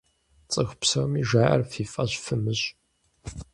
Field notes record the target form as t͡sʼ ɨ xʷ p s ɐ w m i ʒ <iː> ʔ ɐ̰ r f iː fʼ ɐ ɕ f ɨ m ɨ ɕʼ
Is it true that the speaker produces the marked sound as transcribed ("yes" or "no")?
no